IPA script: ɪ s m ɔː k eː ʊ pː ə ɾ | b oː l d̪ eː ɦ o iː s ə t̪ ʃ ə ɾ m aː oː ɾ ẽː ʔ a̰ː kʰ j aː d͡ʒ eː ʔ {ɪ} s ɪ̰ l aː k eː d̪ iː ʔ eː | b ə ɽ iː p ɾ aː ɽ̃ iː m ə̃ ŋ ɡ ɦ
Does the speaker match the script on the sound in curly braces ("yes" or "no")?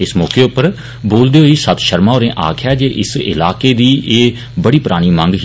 yes